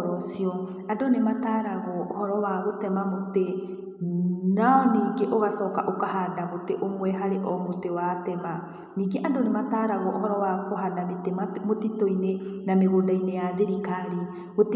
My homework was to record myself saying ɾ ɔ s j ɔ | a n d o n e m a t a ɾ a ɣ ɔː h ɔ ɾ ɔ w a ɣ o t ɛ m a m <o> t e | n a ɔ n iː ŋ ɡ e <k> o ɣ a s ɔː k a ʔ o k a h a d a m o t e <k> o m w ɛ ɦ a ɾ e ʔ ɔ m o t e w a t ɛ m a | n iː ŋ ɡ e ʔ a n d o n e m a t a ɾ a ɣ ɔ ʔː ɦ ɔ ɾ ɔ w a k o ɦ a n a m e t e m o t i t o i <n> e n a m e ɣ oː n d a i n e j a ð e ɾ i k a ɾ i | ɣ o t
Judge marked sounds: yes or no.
yes, no, no, yes

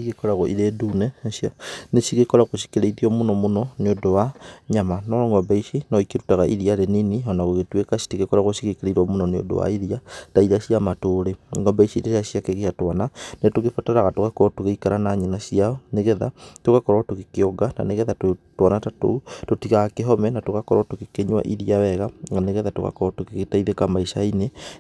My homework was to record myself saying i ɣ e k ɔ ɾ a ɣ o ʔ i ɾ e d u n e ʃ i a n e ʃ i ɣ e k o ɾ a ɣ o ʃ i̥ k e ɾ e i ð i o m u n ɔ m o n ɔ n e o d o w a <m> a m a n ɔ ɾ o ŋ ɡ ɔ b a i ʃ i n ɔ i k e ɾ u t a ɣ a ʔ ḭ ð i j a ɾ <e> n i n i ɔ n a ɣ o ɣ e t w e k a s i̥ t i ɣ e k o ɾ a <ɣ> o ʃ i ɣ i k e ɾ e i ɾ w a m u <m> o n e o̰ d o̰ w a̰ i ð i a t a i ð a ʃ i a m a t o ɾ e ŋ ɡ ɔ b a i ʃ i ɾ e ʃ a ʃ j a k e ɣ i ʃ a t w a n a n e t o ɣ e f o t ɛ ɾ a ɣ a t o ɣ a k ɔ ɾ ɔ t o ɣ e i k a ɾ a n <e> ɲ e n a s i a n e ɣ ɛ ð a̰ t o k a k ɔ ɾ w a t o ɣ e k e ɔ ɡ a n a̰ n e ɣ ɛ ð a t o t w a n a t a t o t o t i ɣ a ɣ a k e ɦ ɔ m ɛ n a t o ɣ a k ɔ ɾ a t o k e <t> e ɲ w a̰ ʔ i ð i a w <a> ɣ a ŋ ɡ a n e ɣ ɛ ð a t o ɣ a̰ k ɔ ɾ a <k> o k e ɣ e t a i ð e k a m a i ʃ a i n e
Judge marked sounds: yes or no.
no, yes, yes, no, no, no, no, no

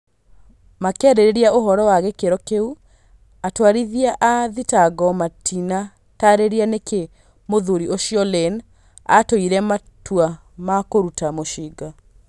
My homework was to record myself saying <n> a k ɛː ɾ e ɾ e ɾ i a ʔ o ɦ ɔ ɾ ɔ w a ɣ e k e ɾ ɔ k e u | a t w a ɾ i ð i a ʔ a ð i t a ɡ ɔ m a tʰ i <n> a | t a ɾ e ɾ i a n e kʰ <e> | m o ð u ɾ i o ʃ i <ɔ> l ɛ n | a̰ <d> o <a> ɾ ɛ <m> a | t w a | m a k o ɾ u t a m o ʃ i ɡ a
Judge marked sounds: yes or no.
no, yes, yes, yes, no, no, yes

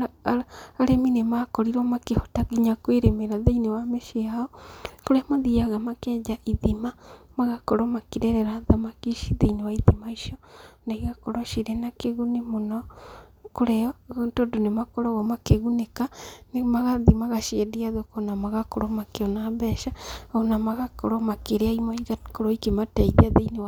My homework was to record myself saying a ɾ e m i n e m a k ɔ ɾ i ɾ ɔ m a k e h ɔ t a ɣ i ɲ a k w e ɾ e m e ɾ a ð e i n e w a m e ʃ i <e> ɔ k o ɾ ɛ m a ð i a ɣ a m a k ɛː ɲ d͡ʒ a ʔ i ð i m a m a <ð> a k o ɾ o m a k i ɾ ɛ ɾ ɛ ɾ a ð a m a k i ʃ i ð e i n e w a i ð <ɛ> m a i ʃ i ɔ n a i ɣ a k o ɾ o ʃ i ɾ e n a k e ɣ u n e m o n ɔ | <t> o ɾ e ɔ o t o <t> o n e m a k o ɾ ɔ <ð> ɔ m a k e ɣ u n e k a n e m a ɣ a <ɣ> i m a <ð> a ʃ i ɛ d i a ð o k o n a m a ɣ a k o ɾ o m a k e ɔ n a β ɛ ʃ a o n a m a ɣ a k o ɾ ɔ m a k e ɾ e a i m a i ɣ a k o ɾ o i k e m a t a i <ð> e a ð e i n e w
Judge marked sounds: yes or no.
no, no, no, no, no, no, no, no, yes

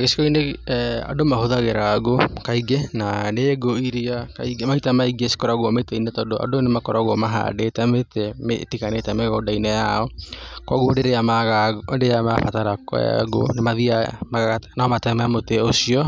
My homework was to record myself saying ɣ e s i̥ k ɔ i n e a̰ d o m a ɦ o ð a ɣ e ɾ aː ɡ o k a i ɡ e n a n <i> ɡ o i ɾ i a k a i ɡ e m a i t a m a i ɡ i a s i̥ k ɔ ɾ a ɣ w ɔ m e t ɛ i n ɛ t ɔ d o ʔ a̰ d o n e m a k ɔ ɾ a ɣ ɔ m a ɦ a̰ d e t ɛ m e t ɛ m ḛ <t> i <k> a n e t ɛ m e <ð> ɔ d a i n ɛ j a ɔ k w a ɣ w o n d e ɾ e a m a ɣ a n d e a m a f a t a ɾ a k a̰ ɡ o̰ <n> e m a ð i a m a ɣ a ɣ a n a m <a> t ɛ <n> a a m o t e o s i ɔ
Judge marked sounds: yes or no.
no, yes, yes, no, yes, yes, no

